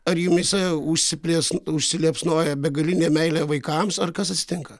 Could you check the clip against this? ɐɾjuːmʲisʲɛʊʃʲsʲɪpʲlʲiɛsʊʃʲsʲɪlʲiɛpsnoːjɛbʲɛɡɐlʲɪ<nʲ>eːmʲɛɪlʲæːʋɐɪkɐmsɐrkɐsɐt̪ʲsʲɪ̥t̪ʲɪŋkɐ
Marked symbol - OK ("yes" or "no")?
yes